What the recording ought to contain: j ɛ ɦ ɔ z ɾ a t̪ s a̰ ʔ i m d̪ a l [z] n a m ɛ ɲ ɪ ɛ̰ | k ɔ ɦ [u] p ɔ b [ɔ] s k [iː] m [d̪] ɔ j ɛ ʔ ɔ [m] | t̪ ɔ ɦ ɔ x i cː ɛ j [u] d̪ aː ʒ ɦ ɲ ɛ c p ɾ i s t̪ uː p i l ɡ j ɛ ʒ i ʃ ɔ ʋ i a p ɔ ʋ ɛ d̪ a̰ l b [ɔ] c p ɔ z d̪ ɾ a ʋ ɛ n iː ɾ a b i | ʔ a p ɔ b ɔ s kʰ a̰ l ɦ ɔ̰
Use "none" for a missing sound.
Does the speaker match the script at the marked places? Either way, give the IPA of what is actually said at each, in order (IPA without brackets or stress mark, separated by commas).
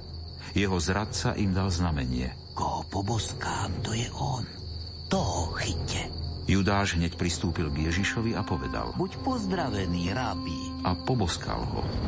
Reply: z, ɔ, ɔ, aː, t̪, n, u, u